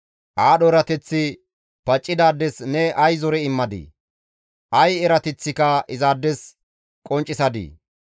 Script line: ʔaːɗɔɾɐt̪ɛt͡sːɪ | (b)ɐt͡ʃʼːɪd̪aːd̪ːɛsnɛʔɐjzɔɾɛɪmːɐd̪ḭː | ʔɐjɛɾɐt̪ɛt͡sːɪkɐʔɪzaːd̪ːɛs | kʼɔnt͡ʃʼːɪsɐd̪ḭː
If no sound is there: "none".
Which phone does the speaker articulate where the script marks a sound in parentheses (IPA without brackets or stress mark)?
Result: p